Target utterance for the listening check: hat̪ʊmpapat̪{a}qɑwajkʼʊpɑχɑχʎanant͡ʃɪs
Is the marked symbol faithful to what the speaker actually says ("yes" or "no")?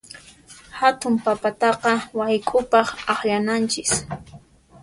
no